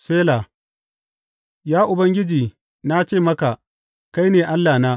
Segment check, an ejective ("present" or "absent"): absent